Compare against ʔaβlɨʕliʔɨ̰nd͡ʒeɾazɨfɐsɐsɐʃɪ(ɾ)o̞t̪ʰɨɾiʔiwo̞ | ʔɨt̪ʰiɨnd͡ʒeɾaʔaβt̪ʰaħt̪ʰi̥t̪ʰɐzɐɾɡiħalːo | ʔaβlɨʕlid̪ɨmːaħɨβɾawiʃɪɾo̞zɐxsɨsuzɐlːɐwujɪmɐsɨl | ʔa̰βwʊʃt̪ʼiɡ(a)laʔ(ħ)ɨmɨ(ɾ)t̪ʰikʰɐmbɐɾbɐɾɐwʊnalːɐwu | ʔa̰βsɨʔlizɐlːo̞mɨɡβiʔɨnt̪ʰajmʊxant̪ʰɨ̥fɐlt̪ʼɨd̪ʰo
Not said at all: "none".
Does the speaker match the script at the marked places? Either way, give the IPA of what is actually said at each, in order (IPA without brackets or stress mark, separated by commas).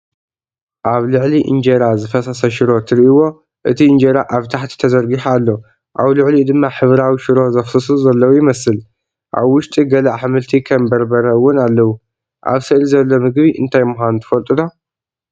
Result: ɾ, ɐ, ħ, l